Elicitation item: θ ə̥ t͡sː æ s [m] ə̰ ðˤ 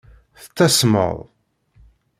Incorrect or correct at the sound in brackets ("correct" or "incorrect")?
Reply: correct